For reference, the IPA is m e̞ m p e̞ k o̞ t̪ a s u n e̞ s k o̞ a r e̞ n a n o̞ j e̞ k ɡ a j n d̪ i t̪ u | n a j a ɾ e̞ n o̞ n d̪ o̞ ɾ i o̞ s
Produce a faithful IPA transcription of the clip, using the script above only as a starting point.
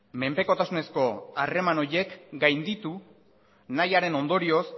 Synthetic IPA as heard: m e̞ m p e̞ k o̞ t̪ a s u n e̞ s k o̞ a r e̞ m a n o̞ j e̞ k ɡ a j n d̪ i t̪ u | n a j a ɾ e̞ n o̞ n d̪ o̞ ɾ i o̞ s